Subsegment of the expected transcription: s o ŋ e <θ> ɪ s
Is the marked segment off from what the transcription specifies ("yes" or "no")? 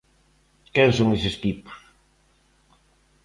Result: yes